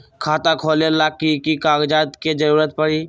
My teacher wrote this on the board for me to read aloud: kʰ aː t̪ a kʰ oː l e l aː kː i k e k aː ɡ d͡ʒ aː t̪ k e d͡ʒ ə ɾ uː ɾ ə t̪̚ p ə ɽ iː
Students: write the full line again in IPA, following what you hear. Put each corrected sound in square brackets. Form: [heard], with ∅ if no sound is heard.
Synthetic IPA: kʰ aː t̪ a kʰ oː l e l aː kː i k [i] k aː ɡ d͡ʒ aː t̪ k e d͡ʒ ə ɾ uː ɾ ə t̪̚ p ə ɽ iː